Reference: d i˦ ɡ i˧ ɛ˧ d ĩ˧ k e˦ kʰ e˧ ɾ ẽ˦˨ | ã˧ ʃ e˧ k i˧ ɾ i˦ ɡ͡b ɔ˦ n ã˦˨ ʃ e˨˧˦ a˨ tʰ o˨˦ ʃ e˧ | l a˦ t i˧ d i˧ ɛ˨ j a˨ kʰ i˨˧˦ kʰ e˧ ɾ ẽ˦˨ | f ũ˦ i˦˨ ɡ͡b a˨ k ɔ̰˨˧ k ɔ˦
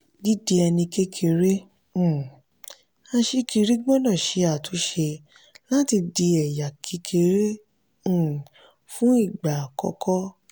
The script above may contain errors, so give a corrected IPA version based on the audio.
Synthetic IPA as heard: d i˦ d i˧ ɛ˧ n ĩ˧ k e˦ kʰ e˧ ɾ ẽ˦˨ | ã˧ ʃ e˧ k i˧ ɾ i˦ ɡ͡b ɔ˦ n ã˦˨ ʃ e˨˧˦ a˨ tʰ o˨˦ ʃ e˧ | l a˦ t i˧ d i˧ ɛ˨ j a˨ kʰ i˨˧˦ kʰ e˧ ɾ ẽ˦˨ | f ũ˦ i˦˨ ɡ͡b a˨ k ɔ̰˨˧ k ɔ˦

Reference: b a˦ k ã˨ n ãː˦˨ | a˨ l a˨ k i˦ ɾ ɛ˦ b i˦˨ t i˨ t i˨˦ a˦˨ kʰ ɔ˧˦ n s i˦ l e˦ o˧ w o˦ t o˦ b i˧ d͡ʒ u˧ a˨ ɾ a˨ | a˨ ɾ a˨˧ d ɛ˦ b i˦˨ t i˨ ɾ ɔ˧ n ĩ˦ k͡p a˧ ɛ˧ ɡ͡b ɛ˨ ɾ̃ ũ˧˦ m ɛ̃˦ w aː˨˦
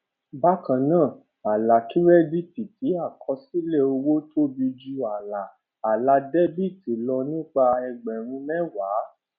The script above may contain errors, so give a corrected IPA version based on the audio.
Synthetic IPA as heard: b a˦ k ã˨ n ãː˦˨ | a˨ l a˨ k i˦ ɾ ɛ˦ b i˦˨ t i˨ t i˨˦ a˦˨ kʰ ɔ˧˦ s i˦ l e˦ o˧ w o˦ t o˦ b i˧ d͡ʒ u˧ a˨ l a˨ | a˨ l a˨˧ d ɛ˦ b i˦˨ t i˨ l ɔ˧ n ĩ˦ k͡p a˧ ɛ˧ ɡ͡b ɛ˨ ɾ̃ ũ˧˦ m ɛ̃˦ w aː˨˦

